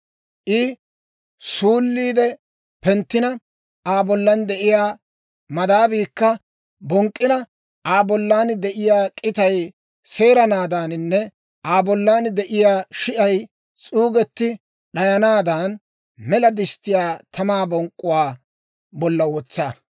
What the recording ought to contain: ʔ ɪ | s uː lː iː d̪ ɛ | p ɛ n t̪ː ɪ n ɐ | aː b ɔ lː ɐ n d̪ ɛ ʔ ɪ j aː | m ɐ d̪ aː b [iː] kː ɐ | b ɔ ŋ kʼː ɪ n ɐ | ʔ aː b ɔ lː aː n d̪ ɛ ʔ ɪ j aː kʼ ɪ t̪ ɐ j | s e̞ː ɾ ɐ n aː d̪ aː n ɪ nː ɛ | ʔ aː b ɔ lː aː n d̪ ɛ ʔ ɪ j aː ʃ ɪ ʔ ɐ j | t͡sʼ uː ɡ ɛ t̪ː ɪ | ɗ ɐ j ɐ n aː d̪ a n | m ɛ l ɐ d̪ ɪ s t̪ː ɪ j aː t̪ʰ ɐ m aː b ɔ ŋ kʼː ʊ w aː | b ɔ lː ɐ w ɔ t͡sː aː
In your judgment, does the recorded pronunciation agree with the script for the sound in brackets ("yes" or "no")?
yes